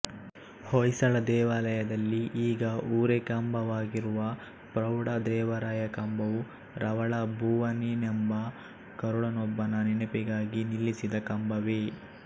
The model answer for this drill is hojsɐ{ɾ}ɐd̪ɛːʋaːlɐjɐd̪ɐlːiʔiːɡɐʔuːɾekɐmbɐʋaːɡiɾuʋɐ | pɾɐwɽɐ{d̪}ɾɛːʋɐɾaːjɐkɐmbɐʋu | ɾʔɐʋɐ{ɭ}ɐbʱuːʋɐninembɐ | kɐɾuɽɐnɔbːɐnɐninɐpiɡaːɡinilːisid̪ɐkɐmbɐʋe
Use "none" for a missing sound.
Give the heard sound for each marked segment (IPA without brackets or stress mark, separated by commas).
ɭ, d̪, ɭ